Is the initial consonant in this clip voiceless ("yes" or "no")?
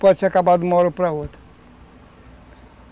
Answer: yes